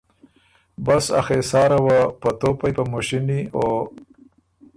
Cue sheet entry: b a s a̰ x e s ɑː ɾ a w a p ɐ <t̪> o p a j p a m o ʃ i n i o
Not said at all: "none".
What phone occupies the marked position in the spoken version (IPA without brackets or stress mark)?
t̪